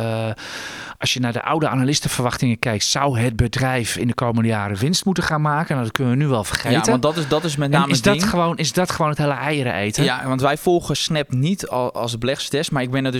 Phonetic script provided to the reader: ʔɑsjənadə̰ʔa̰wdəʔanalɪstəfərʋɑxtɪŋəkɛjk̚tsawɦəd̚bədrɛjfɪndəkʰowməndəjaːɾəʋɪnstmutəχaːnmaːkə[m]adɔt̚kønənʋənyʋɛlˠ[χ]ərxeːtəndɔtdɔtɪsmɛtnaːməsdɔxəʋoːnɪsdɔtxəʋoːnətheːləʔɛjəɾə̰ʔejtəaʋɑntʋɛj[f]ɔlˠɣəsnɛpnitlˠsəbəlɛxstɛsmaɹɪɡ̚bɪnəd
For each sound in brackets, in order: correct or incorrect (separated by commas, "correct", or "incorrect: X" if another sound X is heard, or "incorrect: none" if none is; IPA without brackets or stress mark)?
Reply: incorrect: n, incorrect: f, correct